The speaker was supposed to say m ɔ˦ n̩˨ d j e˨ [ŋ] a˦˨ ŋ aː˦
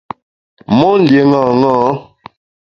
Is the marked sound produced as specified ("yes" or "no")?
yes